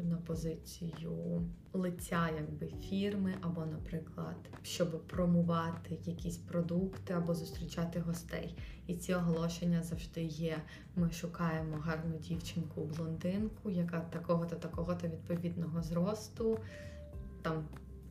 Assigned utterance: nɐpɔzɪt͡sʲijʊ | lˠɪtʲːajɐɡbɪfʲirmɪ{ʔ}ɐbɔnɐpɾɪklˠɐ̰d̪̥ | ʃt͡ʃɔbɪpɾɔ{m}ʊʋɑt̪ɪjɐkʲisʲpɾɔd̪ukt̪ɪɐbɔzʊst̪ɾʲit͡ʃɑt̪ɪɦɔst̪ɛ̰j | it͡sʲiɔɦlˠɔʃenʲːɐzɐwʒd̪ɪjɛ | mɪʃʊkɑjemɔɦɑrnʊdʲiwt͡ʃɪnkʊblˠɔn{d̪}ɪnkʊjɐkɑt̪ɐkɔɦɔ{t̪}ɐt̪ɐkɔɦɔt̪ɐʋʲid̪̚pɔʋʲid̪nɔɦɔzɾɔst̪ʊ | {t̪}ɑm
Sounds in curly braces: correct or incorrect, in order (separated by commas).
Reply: correct, correct, correct, correct, correct